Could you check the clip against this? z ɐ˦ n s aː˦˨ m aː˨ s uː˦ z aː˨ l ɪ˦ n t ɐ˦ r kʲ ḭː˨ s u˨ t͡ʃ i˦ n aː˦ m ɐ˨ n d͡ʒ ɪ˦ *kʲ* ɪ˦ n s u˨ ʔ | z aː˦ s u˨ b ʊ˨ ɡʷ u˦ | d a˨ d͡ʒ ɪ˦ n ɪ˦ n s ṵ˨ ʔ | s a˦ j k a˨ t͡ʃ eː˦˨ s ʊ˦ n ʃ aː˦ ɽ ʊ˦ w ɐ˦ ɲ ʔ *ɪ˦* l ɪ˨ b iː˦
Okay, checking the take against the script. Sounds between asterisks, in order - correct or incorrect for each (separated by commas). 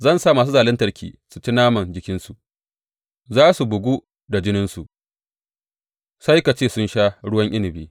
correct, correct